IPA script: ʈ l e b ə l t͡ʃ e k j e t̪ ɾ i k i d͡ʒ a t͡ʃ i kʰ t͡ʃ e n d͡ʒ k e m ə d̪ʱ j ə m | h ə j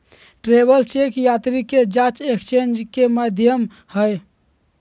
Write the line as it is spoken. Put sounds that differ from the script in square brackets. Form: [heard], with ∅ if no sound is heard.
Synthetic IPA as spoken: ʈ [ɾ] e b ə l t͡ʃ e k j [a] t̪ ɾ i k [e] d͡ʒ a t͡ʃ [e] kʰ t͡ʃ e n d͡ʒ k e m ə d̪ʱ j ə m | h ə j